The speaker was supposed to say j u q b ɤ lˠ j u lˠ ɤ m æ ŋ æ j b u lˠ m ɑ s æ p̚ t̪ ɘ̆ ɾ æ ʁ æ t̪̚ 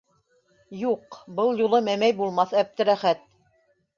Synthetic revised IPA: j u q b ɤ lˠ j u lˠ ɤ m æ m æ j b u lˠ m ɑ θ æ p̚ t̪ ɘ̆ ɾ æ χ æ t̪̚